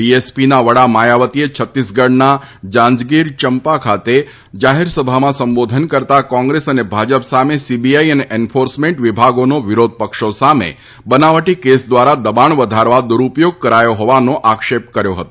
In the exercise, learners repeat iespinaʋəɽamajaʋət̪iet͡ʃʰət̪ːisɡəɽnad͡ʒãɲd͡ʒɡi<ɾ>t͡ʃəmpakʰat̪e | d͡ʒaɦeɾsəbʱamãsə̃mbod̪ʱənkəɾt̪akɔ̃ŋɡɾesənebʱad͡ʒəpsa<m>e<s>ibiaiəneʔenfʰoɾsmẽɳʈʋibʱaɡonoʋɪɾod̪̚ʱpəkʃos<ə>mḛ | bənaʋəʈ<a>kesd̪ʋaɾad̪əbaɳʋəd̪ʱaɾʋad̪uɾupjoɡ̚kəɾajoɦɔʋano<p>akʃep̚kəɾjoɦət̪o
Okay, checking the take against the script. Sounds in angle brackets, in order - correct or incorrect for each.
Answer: correct, correct, correct, incorrect: a, incorrect: i, incorrect: ʔ

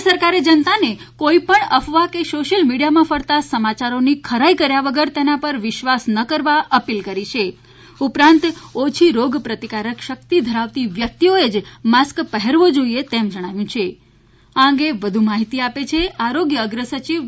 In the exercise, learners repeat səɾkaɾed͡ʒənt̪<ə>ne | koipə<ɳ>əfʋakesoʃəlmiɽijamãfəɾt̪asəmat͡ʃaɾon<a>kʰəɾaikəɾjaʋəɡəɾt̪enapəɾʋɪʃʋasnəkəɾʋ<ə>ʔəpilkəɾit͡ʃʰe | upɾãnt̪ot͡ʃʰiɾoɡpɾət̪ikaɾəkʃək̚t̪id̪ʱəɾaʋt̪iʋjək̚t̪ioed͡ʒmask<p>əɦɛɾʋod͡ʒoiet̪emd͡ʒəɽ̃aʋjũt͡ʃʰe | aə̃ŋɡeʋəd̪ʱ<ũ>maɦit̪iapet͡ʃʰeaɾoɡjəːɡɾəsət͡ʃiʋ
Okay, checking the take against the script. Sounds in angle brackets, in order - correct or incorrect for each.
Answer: incorrect: a, correct, incorrect: i, incorrect: a, correct, incorrect: u

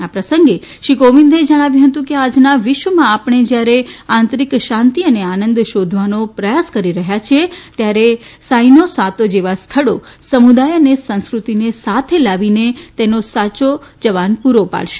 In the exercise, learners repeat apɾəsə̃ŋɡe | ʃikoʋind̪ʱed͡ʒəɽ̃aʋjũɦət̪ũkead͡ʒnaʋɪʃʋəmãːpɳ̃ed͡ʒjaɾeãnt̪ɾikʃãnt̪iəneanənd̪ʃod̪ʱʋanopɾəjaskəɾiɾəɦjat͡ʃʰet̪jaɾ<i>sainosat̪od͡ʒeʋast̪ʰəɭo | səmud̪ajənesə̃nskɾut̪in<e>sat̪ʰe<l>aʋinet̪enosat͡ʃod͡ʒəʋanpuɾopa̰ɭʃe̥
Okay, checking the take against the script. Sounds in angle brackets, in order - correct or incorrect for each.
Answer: incorrect: e, correct, correct

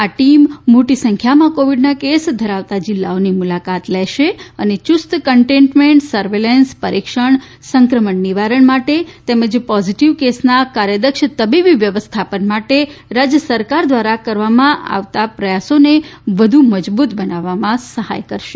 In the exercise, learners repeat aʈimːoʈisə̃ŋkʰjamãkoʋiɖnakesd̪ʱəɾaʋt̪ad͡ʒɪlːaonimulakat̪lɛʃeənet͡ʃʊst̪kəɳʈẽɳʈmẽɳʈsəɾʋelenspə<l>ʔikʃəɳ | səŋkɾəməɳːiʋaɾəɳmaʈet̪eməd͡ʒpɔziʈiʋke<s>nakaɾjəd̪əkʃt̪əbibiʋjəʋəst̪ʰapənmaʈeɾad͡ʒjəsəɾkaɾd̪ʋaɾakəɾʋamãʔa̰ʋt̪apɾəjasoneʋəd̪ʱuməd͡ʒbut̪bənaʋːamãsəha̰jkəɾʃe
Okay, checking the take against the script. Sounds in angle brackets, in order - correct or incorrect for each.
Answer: incorrect: ɾ, correct

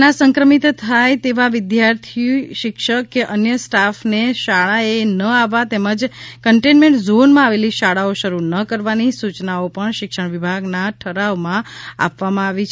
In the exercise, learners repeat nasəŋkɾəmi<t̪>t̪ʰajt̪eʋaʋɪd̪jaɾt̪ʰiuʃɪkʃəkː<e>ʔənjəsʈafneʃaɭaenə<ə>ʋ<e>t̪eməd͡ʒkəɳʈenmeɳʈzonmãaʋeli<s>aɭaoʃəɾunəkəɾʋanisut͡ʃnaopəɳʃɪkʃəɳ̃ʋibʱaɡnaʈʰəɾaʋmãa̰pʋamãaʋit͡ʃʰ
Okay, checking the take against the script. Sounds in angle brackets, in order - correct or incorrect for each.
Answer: correct, correct, incorrect: a, incorrect: a, incorrect: ʃ

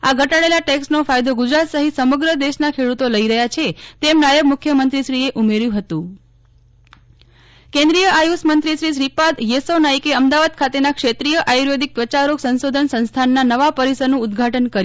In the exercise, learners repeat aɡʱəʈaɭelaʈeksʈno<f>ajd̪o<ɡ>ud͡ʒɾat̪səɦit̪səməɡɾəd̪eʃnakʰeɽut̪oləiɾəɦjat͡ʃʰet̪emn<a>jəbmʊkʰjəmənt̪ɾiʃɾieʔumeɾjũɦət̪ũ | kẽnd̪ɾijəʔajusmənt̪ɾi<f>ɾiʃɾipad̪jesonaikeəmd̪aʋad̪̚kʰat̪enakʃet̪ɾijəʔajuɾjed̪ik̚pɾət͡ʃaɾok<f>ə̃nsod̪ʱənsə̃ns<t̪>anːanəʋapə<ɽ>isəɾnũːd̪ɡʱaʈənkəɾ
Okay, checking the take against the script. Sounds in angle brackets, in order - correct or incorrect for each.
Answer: correct, correct, correct, incorrect: ʃ, incorrect: s, incorrect: t̪ʰ, incorrect: ɾ

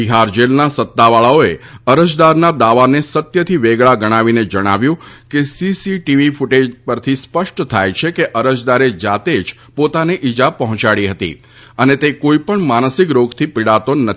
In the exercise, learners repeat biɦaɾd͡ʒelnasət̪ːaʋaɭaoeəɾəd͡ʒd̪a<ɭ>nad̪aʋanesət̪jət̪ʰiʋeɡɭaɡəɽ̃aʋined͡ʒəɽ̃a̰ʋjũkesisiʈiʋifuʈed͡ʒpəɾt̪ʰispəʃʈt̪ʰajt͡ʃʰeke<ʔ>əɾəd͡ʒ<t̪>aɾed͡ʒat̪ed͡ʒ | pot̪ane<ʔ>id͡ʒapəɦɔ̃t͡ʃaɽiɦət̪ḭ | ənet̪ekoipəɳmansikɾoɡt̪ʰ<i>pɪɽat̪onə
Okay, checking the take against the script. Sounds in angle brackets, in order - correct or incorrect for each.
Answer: incorrect: ɾ, correct, incorrect: d̪, correct, correct

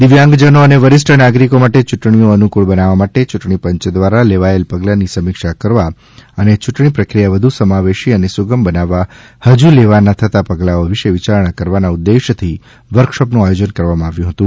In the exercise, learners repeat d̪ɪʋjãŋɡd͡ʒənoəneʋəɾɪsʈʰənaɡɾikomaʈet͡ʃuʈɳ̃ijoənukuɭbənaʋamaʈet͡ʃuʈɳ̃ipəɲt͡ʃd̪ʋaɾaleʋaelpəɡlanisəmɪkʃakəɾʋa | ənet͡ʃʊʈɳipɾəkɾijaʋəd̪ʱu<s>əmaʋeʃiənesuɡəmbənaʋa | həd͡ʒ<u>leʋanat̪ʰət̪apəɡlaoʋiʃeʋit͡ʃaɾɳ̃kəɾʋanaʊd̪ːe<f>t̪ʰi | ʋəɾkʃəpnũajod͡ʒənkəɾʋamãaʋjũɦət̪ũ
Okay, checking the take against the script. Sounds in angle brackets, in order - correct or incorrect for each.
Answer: correct, correct, incorrect: ʃ

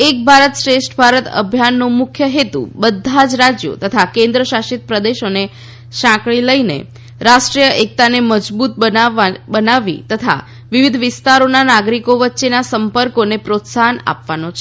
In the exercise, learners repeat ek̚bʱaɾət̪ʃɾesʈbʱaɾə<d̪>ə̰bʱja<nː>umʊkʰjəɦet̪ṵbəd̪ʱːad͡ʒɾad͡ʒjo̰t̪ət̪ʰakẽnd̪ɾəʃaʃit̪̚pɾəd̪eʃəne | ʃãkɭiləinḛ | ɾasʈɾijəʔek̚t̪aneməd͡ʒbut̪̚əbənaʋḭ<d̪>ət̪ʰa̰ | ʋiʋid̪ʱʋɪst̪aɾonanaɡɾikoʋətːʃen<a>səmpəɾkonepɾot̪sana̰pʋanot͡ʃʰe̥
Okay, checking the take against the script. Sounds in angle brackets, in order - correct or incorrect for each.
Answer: incorrect: t̪, correct, incorrect: t̪, correct

